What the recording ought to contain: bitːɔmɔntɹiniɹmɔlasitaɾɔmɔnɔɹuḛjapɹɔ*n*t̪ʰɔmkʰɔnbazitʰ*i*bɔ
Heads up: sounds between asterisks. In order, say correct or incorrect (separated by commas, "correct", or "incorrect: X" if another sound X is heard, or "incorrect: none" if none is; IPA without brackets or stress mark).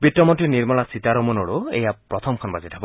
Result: incorrect: none, incorrect: a